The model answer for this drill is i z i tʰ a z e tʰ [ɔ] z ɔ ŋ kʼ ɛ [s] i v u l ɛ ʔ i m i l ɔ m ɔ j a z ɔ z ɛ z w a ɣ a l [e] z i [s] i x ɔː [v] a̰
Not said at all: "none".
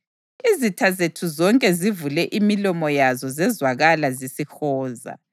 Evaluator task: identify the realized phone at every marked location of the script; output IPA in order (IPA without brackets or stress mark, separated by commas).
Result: u, z, a, s, z